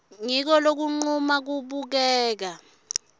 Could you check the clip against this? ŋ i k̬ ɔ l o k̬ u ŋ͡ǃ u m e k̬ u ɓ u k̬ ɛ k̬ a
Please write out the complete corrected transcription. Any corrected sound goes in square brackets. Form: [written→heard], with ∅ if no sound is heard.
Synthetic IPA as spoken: ŋ i k̬ ɔ l o k̬ u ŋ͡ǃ u m [e→a] k̬ u ɓ u k̬ [ɛ→ɛː] k̬ a